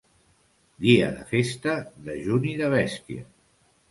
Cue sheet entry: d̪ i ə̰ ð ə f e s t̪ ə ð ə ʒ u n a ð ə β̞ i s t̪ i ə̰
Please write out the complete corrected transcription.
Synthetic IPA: d̪ i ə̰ ð ə f e s t̪ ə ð ə ʒ u n i ð ə β̞ ɛ s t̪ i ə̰